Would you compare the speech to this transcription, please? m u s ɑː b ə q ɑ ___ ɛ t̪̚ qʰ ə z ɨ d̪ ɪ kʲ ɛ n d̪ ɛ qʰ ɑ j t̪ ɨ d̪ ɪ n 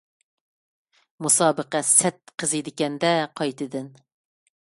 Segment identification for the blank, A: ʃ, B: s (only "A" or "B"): B